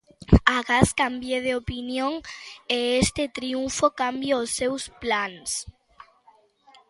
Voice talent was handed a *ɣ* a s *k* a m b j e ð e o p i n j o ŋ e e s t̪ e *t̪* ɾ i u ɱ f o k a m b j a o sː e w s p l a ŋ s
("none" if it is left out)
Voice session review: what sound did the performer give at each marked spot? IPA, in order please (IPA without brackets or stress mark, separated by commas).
ɣ, k, t̪